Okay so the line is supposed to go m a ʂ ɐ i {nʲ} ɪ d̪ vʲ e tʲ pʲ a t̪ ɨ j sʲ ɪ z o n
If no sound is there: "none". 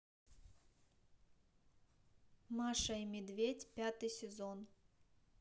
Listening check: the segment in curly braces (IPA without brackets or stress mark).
mʲ